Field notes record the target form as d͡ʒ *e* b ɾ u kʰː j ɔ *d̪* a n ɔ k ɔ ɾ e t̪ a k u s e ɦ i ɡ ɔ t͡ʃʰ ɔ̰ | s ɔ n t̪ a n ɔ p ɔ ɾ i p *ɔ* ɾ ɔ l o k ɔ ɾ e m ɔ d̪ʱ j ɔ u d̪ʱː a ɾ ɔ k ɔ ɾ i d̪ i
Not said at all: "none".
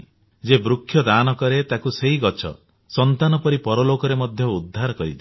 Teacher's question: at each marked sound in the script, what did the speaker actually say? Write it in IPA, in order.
e, d̪, ɔ

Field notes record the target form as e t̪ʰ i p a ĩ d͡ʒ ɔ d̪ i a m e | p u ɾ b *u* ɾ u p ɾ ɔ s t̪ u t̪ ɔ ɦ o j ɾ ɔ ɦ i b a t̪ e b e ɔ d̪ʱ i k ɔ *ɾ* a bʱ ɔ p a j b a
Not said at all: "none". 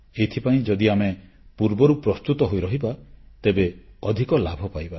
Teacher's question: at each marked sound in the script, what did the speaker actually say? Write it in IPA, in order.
ɔ, l

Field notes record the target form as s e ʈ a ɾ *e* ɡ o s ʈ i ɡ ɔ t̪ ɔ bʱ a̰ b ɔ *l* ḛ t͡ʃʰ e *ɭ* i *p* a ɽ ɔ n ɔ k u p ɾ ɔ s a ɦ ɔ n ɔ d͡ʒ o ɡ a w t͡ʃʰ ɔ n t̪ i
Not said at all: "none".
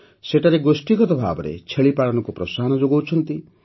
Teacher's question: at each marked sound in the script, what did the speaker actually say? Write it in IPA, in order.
e, ɾ, ɭ, p

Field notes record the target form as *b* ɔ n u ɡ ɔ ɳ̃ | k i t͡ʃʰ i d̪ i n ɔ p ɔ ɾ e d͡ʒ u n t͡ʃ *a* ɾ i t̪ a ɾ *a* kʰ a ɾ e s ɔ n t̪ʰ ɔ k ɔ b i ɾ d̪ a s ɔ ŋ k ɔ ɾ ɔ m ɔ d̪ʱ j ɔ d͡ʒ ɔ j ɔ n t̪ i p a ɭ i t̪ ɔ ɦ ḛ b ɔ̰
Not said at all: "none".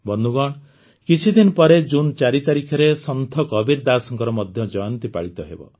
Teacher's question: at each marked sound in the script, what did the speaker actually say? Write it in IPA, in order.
b, a, i

